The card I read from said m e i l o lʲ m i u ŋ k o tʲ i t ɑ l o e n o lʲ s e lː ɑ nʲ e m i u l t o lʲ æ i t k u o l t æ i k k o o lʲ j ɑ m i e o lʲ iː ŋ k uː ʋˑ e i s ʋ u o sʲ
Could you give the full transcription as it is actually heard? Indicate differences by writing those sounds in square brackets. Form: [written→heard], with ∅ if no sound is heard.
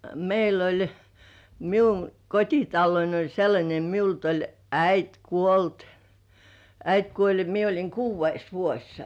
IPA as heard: m e i l o lʲ m i u ŋ k o tʲ i t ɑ [l→lː] o [e→i] n o lʲ s e lː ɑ nʲ e m i u l t o lʲ æ i t k u o l t æ i [k→t] k [o→u] o lʲ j ɑ m i e o lʲ [iː→i] ŋ k uː ʋˑ e i s ʋ u o sʲ